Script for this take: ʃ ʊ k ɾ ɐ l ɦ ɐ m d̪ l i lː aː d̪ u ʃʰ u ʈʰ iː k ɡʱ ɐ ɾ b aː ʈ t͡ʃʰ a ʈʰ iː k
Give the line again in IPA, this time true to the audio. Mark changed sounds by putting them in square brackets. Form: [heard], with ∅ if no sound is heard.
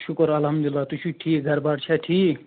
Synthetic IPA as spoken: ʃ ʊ k ɾ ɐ l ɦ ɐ m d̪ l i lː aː [t̪] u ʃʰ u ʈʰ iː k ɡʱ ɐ ɾ b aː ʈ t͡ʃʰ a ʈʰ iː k